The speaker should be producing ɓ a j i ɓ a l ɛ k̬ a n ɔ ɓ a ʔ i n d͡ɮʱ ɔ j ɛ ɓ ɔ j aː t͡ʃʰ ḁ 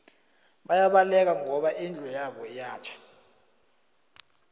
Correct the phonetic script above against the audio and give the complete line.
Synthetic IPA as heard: ɓ a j a ɓ a l ɛ k̬ a ŋ ɔ ɓ a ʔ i n d͡ɮʱ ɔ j a ɓ ɔ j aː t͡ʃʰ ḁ